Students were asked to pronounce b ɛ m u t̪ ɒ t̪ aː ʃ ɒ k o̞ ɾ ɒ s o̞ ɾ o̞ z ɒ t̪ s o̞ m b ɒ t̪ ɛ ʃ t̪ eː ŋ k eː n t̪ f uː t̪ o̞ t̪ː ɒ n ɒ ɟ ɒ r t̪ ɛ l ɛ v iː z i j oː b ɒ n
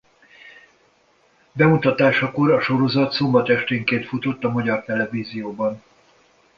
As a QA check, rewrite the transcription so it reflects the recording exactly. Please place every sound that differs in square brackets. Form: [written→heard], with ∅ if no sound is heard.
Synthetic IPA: b ɛ m u t̪ ɒ t̪ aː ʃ ɒ k o̞ ɾ ɒ [s→ʃ] o̞ ɾ o̞ z ɒ t̪ s o̞ m b ɒ t̪ ɛ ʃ t̪ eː ŋ k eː n t̪ f [uː→u] t̪ o̞ t̪ː ɒ [n→m] ɒ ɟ ɒ r t̪ ɛ l ɛ v iː z i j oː b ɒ n